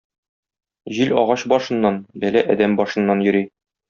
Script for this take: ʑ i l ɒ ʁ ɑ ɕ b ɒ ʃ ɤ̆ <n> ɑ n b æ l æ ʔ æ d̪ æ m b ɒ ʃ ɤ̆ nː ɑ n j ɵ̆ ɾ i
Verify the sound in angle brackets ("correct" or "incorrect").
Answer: incorrect